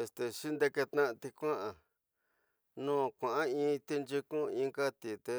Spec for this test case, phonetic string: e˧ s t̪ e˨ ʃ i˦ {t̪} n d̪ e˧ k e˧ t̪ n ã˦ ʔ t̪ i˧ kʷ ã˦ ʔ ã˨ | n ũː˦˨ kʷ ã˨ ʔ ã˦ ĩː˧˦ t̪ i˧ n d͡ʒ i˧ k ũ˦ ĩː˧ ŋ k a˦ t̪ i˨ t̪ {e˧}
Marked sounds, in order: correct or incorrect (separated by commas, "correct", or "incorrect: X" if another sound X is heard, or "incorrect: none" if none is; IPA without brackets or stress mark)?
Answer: incorrect: none, correct